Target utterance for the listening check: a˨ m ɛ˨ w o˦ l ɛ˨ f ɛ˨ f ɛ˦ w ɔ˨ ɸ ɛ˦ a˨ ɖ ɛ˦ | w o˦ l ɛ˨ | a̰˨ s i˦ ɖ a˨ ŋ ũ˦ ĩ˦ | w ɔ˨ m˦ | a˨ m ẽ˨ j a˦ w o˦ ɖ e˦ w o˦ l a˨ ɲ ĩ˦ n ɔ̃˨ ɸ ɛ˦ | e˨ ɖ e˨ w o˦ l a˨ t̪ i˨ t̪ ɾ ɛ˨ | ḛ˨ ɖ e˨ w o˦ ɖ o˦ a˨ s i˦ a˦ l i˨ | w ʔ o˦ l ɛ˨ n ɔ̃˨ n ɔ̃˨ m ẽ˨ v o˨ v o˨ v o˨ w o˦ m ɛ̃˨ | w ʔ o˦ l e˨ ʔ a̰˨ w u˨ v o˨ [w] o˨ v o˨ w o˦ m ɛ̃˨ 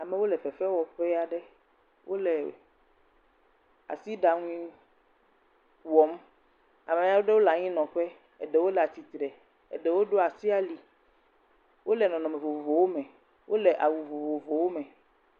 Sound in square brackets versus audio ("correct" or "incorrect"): incorrect